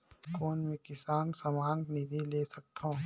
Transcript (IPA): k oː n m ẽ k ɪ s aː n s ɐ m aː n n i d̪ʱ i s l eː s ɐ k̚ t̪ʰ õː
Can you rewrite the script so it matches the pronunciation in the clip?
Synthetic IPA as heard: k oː n m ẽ k ɪ s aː n s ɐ m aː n n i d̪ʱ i l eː s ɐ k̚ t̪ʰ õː